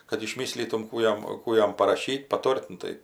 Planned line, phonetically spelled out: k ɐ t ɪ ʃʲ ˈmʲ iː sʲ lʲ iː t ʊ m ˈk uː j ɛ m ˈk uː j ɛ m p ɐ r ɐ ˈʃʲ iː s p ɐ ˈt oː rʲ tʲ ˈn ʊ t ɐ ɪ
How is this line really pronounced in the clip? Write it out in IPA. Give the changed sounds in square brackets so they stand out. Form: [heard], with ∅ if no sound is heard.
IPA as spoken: k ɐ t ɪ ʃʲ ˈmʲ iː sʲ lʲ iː t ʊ m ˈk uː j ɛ m ˈk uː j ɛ m p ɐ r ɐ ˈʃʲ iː [t] p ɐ ˈt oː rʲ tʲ ˈn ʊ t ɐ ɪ